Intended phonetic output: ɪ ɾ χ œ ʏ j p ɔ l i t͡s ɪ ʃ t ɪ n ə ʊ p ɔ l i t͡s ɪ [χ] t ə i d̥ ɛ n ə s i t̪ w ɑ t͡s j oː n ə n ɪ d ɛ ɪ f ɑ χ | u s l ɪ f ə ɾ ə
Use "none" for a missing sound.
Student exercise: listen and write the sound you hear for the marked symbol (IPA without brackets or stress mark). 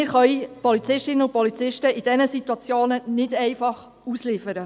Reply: ʃ